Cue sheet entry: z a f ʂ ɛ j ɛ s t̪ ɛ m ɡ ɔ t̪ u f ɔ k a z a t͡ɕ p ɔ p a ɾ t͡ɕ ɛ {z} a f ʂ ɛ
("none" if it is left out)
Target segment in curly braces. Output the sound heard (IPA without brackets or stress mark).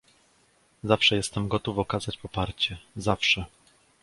z